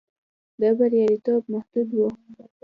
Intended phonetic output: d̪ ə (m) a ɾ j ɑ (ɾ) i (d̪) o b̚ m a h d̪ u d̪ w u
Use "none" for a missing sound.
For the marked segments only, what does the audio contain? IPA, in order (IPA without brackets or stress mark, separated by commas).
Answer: b, ɾ, t̪